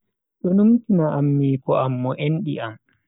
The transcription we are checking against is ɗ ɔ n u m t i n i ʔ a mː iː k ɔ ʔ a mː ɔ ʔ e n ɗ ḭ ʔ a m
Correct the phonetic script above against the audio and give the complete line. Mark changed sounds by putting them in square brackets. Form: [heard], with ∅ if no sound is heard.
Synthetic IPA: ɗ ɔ n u m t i n [a] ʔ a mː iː k ɔ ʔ a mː ɔ ʔ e n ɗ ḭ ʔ a m

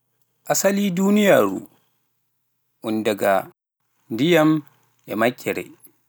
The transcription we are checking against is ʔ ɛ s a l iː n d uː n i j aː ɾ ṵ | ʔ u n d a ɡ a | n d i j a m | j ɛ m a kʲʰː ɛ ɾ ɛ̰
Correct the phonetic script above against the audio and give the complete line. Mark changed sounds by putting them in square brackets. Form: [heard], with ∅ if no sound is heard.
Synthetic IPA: ʔ [a] s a l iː [∅] d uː n i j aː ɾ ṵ | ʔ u n d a ɡ a | n d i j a m | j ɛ m a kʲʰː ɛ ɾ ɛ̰

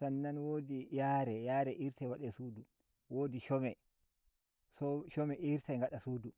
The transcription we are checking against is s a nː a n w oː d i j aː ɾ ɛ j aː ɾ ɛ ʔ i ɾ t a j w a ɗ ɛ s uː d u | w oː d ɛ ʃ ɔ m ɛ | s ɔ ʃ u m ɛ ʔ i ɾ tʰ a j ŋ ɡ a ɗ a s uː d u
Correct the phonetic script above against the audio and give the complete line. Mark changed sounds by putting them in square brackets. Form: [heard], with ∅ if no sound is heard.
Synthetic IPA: s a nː a n w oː d i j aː ɾ ɛ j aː ɾ ɛ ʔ i ɾ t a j w a ɗ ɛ s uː d u | w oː d [i] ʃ ɔ m ɛ | s ɔ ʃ [ɔ] m ɛ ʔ i ɾ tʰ a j ŋ ɡ a ɗ a s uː d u

